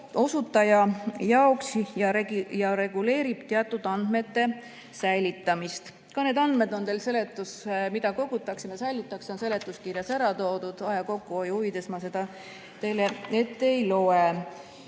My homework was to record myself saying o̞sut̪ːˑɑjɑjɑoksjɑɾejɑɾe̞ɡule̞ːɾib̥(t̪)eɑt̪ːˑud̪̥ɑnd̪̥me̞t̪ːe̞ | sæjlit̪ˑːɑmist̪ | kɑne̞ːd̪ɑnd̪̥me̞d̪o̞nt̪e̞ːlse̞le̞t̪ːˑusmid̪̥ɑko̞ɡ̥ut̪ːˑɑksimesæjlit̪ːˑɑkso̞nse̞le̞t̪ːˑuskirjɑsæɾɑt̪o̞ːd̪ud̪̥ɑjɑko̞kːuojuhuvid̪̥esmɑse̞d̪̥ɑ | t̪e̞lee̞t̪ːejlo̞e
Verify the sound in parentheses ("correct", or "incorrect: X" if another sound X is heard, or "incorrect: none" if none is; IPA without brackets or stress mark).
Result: correct